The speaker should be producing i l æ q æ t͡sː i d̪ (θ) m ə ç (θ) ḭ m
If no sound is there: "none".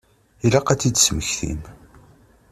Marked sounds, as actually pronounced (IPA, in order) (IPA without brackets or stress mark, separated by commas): s, θ